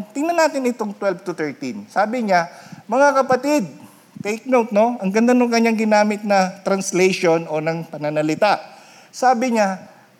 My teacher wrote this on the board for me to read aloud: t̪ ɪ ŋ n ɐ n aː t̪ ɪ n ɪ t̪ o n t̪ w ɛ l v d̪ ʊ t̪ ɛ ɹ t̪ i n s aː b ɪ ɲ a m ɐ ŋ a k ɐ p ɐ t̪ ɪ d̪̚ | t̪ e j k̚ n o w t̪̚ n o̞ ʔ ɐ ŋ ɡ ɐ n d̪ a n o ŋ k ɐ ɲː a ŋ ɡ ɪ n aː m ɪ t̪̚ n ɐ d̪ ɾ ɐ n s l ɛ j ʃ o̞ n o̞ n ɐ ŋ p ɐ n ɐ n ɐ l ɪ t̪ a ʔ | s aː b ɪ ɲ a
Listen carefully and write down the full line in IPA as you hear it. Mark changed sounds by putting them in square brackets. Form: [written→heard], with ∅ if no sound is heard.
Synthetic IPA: t̪ ɪ ŋ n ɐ n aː t̪ ɪ n ɪ t̪ o [n→ŋ] t̪ w ɛ l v [d̪→t̪] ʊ t̪ ɛ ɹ t̪ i n s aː b ɪ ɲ a m ɐ ŋ a k ɐ p ɐ t̪ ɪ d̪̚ | t̪ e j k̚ n o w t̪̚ n o̞ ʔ ɐ ŋ ɡ ɐ n d̪ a n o ŋ k ɐ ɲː a ŋ ɡ ɪ n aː m ɪ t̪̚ n ɐ [d̪→t̪] ɾ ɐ n s l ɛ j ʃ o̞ n o̞ n ɐ ŋ p ɐ n ɐ n ɐ l ɪ t̪ a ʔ | s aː b ɪ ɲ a